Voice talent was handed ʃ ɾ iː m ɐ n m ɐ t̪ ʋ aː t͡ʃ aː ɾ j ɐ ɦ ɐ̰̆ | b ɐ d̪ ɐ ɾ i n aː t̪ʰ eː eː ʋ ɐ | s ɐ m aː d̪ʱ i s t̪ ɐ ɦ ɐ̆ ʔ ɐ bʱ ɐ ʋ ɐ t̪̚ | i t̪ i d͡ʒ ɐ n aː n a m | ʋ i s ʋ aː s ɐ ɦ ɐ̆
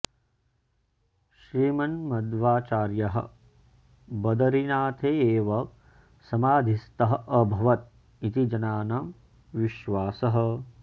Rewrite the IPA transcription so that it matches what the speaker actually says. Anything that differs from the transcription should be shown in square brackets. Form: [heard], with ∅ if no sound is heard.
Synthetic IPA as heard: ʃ ɾ iː m ɐ n m ɐ [d̪] ʋ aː t͡ʃ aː ɾ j ɐ ɦ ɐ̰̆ | b ɐ d̪ ɐ ɾ i n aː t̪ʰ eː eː ʋ ɐ | s ɐ m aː d̪ʱ i s t̪ ɐ ɦ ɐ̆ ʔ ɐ bʱ ɐ ʋ ɐ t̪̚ | i t̪ i d͡ʒ ɐ n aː n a m | ʋ i [ʃ] ʋ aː s ɐ ɦ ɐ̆